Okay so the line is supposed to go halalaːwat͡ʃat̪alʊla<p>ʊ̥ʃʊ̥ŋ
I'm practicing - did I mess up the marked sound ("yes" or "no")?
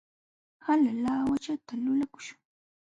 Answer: yes